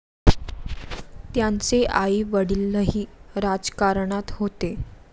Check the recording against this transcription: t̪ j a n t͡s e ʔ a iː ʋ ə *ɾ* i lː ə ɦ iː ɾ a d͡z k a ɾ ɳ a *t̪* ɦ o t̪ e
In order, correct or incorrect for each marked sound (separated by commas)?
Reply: incorrect, correct